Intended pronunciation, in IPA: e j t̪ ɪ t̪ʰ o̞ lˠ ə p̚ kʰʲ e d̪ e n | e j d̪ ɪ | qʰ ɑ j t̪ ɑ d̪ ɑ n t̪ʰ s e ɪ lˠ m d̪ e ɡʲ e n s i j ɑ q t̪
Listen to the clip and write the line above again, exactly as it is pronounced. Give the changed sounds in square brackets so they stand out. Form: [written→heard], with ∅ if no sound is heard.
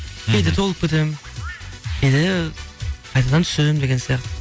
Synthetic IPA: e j [t̪→d̪] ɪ t̪ʰ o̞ lˠ ə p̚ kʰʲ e [d̪→t̪] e [n→m] | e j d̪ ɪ | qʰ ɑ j t̪ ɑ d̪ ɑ n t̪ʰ s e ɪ [lˠ→∅] m d̪ e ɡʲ e n s i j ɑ q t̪